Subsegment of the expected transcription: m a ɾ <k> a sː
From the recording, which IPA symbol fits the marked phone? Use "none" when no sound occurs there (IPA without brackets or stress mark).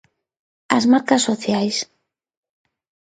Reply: k